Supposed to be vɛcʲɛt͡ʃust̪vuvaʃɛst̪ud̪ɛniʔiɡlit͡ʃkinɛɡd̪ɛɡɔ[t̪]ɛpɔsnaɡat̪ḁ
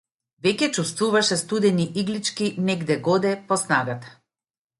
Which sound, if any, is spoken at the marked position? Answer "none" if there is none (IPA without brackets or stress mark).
d̪